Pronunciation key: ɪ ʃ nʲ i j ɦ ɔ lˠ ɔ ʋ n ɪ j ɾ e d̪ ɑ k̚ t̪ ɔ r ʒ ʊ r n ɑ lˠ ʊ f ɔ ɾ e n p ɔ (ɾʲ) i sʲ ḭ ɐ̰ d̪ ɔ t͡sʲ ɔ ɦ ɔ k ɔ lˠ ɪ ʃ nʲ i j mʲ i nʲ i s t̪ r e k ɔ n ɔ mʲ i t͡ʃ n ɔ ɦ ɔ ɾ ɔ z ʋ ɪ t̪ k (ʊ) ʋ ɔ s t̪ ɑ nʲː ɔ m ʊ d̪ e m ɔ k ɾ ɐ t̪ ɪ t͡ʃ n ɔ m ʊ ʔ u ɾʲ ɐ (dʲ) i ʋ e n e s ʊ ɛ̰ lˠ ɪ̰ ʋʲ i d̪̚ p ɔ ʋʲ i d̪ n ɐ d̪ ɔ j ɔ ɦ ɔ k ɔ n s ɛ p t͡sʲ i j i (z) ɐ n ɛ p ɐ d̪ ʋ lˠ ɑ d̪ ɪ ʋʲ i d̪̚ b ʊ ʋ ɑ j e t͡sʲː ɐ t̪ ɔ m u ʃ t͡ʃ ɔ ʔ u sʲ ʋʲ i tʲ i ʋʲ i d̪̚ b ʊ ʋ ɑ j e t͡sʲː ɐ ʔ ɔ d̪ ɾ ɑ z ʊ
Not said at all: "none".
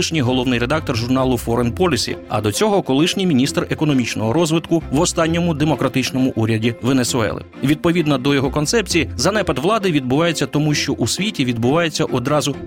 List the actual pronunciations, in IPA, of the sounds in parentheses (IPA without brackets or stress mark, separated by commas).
lʲ, ʊ, dʲ, z